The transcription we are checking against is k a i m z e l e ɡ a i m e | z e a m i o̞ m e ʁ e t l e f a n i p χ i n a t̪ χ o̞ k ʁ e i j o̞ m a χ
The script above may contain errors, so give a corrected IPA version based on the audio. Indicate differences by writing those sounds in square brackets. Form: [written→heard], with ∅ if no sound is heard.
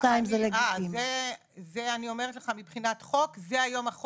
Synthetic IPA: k a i m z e l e ɡ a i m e | z e a [m→n] i o̞ m e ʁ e t l e [f→χ] a [n→m] i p χ i n a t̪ χ o̞ k [ʁ→z] e [i→a] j o̞ m a χ